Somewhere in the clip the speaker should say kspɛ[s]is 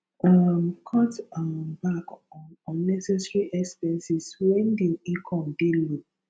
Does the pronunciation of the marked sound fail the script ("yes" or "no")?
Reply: no